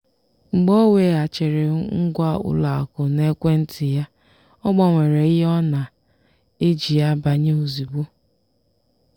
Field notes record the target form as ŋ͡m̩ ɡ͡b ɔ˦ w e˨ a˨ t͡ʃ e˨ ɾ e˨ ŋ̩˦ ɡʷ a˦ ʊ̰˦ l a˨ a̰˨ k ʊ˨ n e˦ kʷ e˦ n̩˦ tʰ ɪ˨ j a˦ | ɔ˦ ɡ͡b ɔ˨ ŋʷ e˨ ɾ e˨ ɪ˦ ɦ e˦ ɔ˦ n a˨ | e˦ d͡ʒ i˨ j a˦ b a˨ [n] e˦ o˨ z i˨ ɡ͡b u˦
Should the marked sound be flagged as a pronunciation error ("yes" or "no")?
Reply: yes